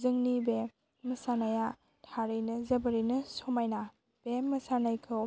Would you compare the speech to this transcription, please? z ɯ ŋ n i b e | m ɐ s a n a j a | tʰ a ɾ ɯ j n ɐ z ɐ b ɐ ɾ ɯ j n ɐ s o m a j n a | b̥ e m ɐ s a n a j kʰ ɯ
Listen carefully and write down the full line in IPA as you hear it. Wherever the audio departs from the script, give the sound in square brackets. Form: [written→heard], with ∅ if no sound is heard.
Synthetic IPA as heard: z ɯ ŋ n i b e | m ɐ s a n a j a | tʰ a ɾ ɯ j n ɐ z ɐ b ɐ ɾ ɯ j n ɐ s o m a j n a | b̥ e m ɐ s a n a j kʰ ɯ